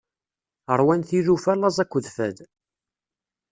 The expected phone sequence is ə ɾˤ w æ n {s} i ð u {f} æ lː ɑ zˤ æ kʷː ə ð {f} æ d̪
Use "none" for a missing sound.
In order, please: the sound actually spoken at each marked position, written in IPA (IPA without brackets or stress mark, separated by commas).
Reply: θ, f, f